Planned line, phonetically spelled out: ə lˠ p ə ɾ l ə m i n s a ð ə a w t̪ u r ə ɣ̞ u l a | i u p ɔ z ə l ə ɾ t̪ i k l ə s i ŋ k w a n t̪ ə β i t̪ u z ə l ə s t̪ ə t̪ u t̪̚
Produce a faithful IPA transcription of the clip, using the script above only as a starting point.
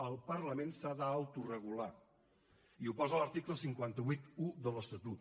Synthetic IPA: ə lˠ p ə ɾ l ə m e n s a ð ə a w t̪ u r ə ɣ̞ u l a | i u p ɔ z ə l ə ɾ t̪ i k l ə s i ŋ k w a n t̪ ə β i t̪ u ð ə l ə s t̪ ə t̪ u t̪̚